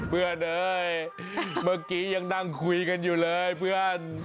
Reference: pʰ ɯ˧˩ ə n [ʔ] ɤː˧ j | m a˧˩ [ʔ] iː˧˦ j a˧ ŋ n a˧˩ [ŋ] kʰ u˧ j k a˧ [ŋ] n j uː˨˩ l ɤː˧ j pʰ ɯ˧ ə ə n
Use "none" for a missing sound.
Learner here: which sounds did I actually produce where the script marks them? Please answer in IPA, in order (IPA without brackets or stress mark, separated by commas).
ʔ, k, ŋ, none